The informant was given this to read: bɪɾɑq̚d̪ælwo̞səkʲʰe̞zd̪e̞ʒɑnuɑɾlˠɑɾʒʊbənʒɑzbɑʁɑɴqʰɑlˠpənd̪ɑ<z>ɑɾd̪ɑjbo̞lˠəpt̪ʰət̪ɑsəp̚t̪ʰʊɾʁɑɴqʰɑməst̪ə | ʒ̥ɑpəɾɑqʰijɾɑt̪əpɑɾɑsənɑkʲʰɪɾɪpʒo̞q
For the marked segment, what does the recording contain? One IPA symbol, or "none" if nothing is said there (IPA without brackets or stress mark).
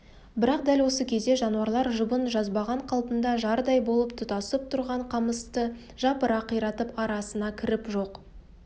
ʒ